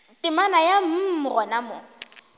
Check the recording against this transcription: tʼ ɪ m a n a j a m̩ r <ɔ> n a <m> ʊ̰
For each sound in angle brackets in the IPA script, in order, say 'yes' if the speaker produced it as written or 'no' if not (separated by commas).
yes, yes